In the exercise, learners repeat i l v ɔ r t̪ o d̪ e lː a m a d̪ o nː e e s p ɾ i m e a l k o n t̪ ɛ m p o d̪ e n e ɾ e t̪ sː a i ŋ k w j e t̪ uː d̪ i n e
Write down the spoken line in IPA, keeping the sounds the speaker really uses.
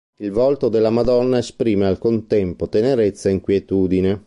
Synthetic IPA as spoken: i l v ɔ l t̪ o d̪ e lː a m a d̪ ɔ nː a e s p ɾ iː m e a l k o n t̪ ɛ m p o t̪ e n e ɾ e t̪ sː a i ŋ k w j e t̪ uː d̪ i n e